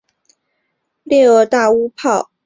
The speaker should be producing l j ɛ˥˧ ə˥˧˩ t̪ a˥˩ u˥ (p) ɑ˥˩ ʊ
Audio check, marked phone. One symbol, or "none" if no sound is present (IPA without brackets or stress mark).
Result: pʰ